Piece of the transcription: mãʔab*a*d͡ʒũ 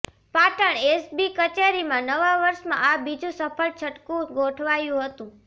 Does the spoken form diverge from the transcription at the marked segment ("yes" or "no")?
yes